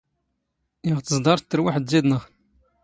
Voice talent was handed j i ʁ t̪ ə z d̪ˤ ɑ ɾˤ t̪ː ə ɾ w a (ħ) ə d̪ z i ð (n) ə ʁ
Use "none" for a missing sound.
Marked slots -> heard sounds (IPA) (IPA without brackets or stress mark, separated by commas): ħ, n